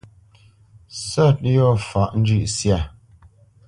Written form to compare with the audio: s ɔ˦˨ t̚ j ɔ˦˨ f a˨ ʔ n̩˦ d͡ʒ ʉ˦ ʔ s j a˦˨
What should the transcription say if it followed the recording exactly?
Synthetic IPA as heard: s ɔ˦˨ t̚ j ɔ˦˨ f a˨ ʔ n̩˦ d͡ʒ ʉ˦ ʔ s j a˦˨